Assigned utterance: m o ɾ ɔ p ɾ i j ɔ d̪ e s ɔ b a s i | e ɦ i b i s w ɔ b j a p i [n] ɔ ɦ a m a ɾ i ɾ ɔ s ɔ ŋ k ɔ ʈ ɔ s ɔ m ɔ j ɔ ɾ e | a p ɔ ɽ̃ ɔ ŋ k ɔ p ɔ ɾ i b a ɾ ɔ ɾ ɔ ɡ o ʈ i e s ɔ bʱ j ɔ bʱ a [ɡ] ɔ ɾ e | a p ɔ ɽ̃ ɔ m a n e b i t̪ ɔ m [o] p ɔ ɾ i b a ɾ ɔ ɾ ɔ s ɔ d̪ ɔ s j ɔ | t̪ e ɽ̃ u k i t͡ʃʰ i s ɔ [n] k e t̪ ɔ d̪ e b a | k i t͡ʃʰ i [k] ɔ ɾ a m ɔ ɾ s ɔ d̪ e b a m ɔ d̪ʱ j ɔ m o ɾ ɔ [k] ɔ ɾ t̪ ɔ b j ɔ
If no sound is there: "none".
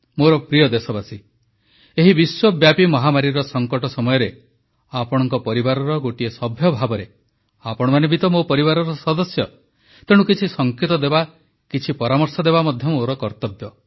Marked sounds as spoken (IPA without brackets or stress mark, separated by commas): m, b, o, ŋ, p, k